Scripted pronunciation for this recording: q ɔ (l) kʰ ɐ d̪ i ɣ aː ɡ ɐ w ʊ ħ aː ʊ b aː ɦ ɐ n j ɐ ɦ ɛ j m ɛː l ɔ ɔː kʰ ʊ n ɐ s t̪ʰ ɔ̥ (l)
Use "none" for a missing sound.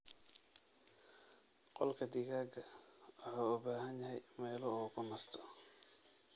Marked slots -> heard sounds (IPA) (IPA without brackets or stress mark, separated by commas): l, none